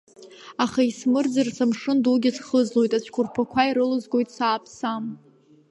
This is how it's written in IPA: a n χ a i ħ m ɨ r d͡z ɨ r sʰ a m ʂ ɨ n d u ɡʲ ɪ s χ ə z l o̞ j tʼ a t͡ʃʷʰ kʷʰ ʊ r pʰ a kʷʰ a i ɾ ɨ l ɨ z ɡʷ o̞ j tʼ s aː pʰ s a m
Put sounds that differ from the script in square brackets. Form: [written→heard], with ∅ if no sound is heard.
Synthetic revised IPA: a [n→∅] χ a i [ħ→s] m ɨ r d͡z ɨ r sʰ a m ʂ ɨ n d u ɡʲ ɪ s χ ə z l o̞ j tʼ a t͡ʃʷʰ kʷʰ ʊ r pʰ a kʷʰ a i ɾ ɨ l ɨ z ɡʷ o̞ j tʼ s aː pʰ s a m